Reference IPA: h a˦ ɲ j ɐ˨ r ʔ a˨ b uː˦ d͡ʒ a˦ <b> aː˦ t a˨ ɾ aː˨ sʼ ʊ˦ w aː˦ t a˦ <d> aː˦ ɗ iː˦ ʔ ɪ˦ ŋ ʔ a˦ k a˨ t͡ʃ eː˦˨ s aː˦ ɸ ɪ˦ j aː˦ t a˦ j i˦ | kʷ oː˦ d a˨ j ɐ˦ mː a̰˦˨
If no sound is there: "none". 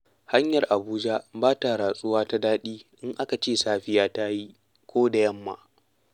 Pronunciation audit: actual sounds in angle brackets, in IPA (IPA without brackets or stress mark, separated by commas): b, d